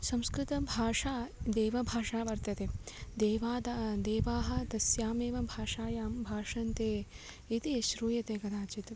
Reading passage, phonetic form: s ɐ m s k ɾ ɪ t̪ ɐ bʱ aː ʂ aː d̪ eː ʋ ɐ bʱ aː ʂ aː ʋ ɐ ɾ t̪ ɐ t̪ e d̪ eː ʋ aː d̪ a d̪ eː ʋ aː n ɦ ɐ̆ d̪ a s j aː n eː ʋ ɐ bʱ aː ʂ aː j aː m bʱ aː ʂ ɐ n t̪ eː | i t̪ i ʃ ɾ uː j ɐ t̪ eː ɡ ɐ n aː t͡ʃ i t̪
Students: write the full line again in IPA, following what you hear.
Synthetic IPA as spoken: s ɐ m s k ɾ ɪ t̪ ɐ bʱ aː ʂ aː d̪ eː ʋ ɐ bʱ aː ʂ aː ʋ ɐ ɾ t̪ ɐ t̪ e d̪ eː ʋ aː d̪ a d̪ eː ʋ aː ɦ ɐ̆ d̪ ɐ s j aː m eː ʋ ɐ bʱ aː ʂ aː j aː m bʱ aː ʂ ɐ n t̪ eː | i t̪ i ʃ ɾ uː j ɐ t̪ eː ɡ ɐ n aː t͡ʃ i t̪